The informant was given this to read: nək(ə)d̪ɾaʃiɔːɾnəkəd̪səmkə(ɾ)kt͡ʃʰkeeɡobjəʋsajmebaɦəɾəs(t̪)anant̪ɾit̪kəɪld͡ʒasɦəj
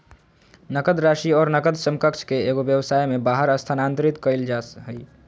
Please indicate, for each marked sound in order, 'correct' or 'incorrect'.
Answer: correct, incorrect: none, incorrect: t̪ʰ

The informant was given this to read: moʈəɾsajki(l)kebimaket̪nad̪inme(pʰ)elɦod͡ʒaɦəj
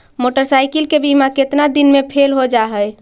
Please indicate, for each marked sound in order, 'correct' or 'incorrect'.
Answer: correct, correct

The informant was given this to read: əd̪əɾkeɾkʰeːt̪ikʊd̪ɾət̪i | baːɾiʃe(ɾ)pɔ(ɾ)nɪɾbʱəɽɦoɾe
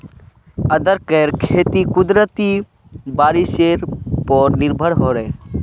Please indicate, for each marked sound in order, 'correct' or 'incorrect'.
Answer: correct, correct

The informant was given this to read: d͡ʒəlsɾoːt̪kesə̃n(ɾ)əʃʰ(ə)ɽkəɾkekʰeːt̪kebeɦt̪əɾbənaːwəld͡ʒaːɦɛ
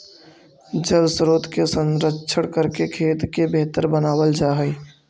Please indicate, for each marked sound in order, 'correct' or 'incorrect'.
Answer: correct, correct

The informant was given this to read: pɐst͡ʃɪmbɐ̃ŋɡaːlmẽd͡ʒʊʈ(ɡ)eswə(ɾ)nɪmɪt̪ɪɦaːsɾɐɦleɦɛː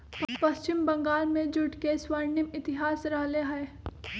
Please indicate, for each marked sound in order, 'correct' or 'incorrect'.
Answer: incorrect: k, correct

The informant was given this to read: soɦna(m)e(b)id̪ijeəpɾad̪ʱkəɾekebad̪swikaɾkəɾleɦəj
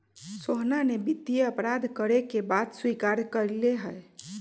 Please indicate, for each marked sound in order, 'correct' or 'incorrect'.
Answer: incorrect: n, correct

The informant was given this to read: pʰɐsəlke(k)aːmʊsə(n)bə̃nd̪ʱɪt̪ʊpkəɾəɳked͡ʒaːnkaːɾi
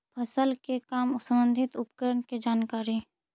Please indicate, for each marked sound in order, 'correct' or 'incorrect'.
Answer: correct, incorrect: m

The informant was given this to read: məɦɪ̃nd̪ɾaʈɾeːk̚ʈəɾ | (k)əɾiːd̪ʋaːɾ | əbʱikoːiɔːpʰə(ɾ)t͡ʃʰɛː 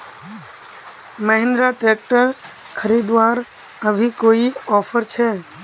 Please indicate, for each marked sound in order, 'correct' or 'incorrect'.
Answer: incorrect: kʰ, correct

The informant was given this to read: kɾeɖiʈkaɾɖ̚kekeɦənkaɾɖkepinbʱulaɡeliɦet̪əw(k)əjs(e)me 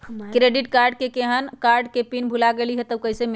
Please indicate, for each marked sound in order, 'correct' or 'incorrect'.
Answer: correct, correct

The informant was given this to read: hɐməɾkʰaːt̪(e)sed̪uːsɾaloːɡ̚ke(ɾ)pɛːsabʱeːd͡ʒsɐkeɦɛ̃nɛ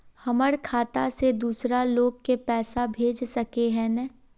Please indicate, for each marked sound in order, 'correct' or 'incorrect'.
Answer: incorrect: a, incorrect: none

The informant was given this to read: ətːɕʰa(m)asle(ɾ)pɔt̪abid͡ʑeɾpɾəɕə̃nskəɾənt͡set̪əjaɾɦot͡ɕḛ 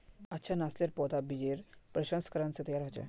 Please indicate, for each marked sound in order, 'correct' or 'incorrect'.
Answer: incorrect: n, correct

